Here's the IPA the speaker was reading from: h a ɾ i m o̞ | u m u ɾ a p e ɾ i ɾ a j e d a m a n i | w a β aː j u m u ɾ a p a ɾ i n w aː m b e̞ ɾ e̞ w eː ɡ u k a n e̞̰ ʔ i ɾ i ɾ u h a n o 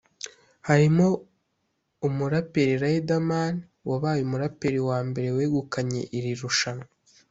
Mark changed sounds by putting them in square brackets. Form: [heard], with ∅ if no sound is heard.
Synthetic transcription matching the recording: h a ɾ i m o̞ | u m u ɾ a p e ɾ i ɾ a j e d a m a n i | w a β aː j u m u ɾ a p [e] ɾ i [∅] w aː m b e̞ ɾ e̞ w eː ɡ u k a [ɲ] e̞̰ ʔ i ɾ i ɾ u [ʃ] a n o